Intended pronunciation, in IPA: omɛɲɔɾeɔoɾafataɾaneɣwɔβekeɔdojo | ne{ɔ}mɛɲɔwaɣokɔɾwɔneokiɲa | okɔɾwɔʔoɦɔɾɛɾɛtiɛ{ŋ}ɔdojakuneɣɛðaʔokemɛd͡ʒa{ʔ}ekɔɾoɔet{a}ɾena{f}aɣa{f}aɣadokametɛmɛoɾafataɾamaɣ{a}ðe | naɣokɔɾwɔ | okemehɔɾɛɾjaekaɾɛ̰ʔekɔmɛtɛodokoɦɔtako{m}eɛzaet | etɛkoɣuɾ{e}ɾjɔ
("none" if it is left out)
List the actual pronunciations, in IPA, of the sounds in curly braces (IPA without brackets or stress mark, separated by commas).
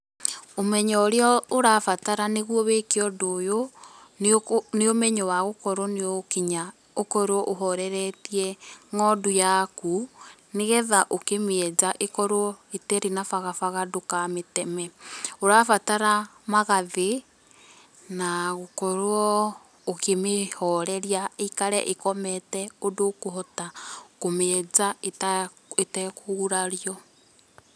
o, ŋ, ʔ, ɛ, f, f, a, m, a